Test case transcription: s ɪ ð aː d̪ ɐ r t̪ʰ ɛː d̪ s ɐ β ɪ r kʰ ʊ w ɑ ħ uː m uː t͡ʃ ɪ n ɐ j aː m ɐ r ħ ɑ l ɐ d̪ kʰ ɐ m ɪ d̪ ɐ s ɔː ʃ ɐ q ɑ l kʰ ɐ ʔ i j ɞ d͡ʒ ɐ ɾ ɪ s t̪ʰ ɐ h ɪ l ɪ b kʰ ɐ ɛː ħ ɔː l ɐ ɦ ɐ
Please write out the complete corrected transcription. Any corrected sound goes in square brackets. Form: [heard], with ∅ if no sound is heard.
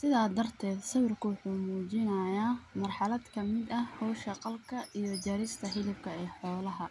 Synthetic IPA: s ɪ ð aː d̪ ɐ r t̪ʰ ɛː d̪ s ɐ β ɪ r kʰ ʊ w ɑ ħ uː m uː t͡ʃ ɪ n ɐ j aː m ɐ r ħ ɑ l ɐ d̪ kʰ ɐ m ɪ d̪ ɐ [h] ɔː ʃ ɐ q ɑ l kʰ ɐ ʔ i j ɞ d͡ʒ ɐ ɾ ɪ s t̪ʰ ɐ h ɪ l ɪ b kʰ ɐ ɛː ħ ɔː l ɐ ɦ ɐ